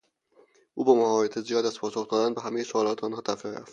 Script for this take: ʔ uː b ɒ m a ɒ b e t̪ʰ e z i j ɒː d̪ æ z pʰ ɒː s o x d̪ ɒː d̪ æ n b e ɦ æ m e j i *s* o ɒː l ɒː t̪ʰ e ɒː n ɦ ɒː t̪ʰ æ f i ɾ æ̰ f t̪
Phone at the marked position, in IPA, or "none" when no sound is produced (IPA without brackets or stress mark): s